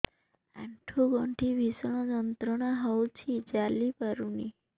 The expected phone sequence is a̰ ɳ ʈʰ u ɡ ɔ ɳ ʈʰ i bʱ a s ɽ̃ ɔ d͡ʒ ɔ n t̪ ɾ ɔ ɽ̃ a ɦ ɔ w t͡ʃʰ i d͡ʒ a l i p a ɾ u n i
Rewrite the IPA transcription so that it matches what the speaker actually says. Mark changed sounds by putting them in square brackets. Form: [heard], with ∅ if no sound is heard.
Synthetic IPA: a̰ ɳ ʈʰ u ɡ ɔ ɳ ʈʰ i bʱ [i] s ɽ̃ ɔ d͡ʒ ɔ n t̪ ɾ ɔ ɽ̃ a ɦ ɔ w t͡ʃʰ i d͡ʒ a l i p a ɾ u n i